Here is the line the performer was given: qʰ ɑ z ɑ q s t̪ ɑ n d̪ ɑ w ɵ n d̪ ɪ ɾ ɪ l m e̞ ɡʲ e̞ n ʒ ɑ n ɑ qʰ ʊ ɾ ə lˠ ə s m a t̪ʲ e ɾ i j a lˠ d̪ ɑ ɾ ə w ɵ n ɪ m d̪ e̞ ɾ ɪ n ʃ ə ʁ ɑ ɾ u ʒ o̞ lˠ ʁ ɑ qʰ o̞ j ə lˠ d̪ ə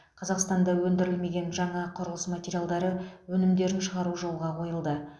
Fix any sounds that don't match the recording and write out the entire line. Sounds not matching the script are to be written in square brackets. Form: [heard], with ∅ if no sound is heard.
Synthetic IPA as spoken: qʰ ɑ z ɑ q s t̪ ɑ n d̪ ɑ w ɵ n d̪ ɪ ɾ ɪ l m e̞ ɡʲ e̞ n ʒ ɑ [ɴ] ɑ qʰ ʊ ɾ ə lˠ ə s m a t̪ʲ e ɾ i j a lˠ d̪ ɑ ɾ ə w ɵ n ɪ m d̪ e̞ ɾ ɪ n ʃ ə ʁ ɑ ɾ u ʒ o̞ lˠ ʁ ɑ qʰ o̞ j ə lˠ d̪ ə